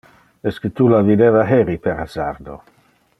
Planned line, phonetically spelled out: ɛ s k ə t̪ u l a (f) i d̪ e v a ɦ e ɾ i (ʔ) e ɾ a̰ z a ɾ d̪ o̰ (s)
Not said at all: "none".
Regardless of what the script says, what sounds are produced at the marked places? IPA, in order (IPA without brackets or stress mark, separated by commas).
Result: v, p, none